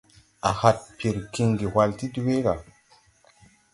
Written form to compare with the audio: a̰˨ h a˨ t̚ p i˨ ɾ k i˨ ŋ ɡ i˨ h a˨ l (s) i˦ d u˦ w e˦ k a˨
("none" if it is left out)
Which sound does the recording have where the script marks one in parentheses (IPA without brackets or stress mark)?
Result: t